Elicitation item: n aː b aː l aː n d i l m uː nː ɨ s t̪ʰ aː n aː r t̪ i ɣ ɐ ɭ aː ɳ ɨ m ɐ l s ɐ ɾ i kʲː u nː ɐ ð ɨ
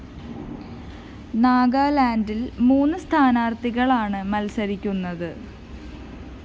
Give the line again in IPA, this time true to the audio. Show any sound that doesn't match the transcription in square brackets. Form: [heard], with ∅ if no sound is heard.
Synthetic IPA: n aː [ɡ] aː l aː n d i l m uː nː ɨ s t̪ʰ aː n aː r t̪ i ɣ ɐ ɭ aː ɳ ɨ m ɐ l s ɐ ɾ i kʲː u nː ɐ ð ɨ